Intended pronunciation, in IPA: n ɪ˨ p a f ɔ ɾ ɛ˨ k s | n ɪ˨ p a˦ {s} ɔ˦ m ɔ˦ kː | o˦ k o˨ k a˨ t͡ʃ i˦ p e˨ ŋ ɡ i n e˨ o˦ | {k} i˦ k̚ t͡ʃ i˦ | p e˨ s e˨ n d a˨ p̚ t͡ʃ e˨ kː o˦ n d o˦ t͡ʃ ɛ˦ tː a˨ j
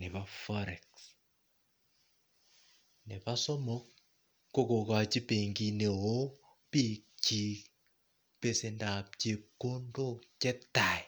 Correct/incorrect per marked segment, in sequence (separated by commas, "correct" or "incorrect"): correct, incorrect